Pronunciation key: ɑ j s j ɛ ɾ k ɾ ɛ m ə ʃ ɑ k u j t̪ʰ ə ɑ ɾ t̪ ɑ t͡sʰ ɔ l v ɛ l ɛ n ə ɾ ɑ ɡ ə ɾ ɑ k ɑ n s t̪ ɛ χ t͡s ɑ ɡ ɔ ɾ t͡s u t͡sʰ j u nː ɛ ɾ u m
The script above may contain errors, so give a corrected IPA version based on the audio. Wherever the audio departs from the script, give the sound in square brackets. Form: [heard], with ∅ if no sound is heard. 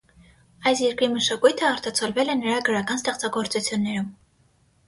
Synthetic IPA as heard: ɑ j s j ɛ ɾ k ɾ [i] m ə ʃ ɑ k u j t̪ʰ ə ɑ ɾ t̪ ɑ t͡sʰ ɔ l v ɛ l ɛ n ə ɾ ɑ ɡ ə ɾ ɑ k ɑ n s t̪ ɛ χ t͡s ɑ ɡ ɔ ɾ t͡s u t͡sʰ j u nː ɛ ɾ u m